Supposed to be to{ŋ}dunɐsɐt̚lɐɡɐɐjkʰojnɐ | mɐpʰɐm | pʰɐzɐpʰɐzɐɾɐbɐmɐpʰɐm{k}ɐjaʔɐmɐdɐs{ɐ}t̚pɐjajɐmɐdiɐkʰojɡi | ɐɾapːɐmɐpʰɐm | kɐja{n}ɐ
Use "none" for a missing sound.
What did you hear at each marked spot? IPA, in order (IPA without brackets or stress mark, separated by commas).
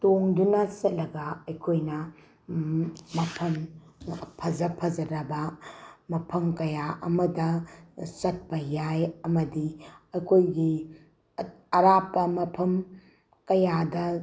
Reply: ŋ, k, ɐ, d